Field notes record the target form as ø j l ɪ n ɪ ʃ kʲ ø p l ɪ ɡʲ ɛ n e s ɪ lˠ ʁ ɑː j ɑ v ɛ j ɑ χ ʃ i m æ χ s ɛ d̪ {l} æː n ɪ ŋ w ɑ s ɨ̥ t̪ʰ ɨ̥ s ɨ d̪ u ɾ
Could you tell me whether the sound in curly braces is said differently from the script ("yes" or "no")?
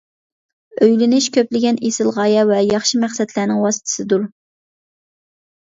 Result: no